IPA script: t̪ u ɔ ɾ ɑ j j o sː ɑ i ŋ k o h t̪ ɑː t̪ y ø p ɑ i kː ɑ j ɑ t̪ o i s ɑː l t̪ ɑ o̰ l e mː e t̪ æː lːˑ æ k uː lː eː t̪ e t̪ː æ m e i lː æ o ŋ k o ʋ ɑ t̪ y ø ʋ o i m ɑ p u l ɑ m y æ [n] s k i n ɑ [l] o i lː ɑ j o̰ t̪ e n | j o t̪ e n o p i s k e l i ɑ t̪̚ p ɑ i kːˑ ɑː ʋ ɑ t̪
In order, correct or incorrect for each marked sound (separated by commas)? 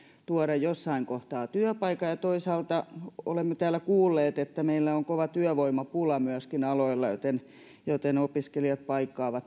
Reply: incorrect, correct